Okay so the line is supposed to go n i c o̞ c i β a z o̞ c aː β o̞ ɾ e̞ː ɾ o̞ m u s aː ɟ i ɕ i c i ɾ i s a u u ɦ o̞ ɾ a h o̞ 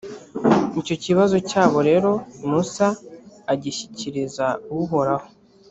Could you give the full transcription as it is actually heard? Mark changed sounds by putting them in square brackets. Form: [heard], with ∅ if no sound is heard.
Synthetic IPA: n i c o̞ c i β a z o̞ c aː β o̞ ɾ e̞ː ɾ o̞ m u s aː ɟ i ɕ i c i ɾ i [z] a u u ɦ o̞ ɾ a h o̞

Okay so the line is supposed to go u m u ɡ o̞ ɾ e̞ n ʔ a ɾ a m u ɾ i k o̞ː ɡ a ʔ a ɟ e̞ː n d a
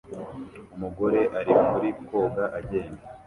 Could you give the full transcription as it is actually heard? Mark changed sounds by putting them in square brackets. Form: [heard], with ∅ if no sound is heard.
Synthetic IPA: u m u ɡ o̞ ɾ e̞ [∅] ʔ a ɾ [i] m u ɾ i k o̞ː ɡ a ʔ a ɟ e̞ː n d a

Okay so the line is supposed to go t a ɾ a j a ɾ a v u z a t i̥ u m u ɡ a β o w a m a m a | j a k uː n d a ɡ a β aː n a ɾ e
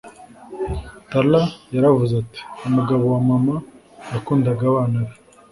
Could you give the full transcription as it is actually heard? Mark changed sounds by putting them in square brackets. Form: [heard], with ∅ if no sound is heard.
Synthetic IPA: t a [l] a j a ɾ a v u z a t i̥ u m u ɡ a β o w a m a m a | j a k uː n d a ɡ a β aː n a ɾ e

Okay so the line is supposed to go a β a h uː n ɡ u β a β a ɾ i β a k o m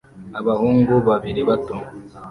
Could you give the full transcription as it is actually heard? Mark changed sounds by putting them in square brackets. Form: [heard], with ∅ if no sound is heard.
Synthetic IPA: a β a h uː [ŋ] ɡ u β a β [i] ɾ i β a [t] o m

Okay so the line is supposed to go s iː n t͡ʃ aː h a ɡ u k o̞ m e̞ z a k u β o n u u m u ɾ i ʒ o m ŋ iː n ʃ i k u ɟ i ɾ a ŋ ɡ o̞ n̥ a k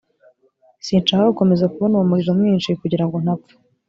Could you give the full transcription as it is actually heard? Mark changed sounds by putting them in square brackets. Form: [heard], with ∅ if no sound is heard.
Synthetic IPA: s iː n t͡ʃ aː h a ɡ u k o̞ m e̞ z a k u β o n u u m u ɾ i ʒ o m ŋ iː n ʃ i k u ɟ i ɾ a ŋ ɡ o̞ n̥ a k

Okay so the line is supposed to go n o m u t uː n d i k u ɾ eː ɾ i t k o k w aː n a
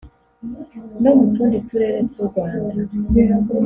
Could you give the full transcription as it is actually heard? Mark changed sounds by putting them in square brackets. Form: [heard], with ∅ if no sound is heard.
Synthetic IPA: n o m u t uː n d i [t] u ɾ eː ɾ [e] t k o [ɡ] w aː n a

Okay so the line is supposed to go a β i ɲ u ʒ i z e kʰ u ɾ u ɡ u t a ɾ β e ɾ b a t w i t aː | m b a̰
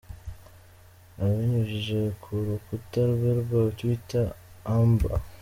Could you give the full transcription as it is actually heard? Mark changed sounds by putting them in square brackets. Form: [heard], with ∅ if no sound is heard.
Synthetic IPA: a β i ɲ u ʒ i [ʒ] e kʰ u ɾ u [k] u t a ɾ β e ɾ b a t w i t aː | m b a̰

